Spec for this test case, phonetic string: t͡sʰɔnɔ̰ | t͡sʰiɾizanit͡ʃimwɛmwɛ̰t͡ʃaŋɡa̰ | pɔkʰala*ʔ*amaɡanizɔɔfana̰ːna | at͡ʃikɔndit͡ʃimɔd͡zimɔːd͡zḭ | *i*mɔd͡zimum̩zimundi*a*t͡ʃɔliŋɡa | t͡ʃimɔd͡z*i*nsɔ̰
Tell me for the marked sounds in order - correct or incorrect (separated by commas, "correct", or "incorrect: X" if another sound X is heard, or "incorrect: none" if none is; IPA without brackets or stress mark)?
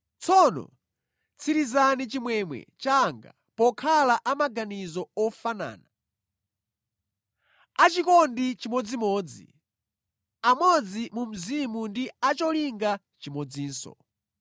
correct, incorrect: a, correct, incorrect: iː